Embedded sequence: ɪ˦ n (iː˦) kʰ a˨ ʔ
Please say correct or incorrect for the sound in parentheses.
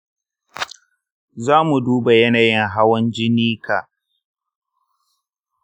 correct